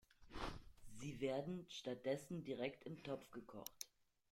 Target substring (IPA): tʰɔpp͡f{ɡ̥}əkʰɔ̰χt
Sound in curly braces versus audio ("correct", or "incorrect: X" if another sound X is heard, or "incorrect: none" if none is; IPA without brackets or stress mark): correct